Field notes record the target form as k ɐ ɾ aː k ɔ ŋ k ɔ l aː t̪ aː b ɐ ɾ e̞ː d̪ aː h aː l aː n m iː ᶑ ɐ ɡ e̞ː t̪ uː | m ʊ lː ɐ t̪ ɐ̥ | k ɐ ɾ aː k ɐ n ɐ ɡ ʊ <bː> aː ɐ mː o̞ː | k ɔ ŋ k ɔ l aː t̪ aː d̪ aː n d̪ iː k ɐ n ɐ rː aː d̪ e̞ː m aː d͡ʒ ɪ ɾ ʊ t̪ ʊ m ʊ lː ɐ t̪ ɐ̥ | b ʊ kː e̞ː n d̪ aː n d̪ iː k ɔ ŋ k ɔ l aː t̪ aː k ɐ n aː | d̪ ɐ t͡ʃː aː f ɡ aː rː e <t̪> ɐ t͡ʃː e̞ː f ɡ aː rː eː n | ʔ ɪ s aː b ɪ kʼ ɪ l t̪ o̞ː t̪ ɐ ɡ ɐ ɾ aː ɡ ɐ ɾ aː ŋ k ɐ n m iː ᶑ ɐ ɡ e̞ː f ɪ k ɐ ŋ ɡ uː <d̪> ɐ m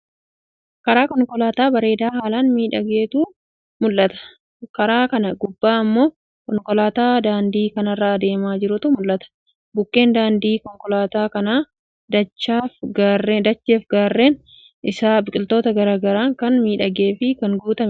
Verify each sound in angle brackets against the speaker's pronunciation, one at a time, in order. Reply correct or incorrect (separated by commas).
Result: correct, incorrect, incorrect